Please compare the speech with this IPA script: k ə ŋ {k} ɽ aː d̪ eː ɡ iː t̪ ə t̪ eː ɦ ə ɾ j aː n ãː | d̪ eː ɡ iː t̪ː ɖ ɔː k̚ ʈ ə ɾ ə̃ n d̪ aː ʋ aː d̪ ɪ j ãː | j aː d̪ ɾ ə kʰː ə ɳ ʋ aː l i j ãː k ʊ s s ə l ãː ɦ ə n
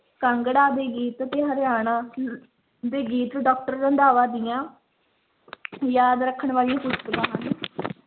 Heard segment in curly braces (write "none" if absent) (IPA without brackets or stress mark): ɡ